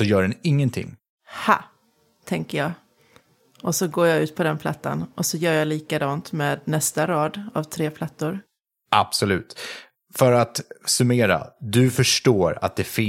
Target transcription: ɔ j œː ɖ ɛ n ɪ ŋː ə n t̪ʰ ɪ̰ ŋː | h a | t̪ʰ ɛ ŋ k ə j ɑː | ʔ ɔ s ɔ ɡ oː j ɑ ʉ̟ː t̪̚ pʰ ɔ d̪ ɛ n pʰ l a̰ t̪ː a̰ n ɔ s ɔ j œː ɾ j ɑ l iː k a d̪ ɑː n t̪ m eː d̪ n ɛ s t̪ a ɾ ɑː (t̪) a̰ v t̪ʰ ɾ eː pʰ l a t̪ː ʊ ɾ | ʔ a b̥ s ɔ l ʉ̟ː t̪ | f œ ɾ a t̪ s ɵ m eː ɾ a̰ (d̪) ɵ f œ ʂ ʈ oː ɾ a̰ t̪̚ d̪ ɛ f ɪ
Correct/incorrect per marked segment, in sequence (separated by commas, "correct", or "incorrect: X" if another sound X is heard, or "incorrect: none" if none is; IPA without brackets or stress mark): incorrect: d̪, correct